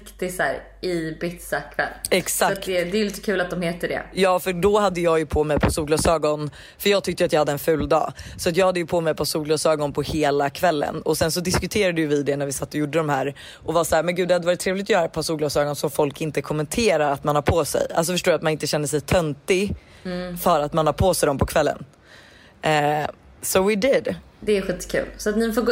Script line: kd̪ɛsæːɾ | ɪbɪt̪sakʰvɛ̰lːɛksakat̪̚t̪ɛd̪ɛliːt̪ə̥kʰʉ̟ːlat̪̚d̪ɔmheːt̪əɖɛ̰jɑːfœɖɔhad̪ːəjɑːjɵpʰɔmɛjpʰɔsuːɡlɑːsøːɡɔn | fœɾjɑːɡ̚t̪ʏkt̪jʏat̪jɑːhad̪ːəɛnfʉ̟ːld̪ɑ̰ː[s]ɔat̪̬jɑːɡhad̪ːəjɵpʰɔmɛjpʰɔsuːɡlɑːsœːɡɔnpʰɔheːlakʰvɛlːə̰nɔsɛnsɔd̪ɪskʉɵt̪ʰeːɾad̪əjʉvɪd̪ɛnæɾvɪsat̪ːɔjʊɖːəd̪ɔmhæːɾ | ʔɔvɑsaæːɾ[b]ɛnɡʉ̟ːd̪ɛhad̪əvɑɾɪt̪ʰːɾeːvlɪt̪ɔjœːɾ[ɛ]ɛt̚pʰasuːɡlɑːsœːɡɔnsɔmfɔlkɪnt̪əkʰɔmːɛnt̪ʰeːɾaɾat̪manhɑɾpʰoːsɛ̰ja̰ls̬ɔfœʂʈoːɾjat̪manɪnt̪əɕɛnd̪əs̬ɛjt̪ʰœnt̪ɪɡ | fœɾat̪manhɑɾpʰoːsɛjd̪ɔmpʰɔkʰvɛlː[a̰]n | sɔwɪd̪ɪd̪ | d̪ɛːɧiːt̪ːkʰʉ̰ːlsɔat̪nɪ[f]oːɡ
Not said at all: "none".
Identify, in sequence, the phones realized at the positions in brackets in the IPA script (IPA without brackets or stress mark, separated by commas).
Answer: s, m, a, ə̰, f